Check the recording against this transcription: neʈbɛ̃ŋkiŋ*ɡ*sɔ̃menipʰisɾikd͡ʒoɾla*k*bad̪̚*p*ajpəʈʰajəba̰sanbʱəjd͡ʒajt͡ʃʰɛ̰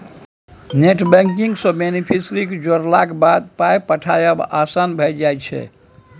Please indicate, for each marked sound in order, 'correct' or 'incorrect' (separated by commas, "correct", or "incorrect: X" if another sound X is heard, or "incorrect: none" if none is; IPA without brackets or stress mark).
correct, correct, correct